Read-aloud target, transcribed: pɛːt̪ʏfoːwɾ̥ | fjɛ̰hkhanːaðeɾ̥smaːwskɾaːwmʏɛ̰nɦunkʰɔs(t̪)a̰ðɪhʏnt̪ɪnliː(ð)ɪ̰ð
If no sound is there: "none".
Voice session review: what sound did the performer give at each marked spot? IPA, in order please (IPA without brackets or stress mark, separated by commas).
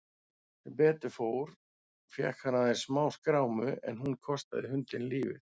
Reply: t̪, v